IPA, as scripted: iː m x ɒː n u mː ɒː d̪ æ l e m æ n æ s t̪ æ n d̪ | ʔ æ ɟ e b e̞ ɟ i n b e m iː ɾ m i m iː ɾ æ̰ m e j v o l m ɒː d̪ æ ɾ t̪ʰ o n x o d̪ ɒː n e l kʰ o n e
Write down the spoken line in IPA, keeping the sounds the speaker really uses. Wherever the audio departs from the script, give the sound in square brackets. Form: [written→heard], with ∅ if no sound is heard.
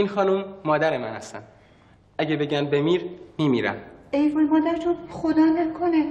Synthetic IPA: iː [m→n] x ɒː n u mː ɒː d̪ æ [l→ɾ] e m æ n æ s t̪ æ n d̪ | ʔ æ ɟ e b e̞ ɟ [i→æ] n b e m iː ɾ m i m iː ɾ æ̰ m e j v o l m ɒː d̪ æ ɾ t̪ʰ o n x o d̪ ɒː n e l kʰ o n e

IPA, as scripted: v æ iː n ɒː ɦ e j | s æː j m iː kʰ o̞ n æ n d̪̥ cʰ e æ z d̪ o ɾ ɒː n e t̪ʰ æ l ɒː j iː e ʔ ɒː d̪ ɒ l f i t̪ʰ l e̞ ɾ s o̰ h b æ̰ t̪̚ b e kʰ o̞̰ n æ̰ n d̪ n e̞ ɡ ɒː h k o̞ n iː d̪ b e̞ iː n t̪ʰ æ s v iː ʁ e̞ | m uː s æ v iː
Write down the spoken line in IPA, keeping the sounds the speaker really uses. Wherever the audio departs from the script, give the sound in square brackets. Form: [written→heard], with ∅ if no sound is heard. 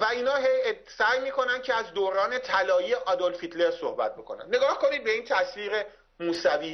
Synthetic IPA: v æ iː n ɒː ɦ e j | s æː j m iː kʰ o̞ n æ n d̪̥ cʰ e æ z d̪ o ɾ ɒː n e t̪ʰ æ l ɒː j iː e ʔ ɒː d̪ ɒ l f i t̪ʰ l e̞ ɾ s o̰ h b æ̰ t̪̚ b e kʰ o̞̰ n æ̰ n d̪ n e̞ ɡ ɒː h k o̞ n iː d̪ b e̞ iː n t̪ʰ æ s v iː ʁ e̞ | m uː s æ v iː

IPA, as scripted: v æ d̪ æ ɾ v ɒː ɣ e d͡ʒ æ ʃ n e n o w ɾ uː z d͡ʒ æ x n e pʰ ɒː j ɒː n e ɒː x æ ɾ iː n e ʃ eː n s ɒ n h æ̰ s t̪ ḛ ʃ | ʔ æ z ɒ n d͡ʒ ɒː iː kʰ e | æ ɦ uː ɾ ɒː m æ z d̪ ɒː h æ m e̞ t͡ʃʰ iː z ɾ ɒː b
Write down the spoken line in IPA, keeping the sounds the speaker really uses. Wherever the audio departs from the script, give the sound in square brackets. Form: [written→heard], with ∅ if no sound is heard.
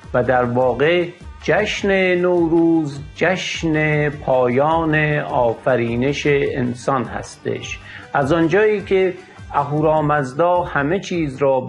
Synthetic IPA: v æ d̪ æ ɾ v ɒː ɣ e d͡ʒ æ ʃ n e n o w ɾ uː z d͡ʒ æ [x→ʃ] n e pʰ ɒː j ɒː n e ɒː [x→f] æ ɾ iː n e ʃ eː n s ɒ n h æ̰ s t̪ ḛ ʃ | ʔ æ z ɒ n d͡ʒ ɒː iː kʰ e | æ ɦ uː ɾ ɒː m æ z d̪ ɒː h æ m e̞ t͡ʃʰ iː z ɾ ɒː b

